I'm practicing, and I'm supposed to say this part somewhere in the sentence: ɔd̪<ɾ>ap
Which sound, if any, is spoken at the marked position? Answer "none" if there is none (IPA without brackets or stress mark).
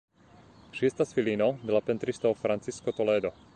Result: l